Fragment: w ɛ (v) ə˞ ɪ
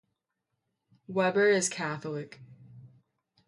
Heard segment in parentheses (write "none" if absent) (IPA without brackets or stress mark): b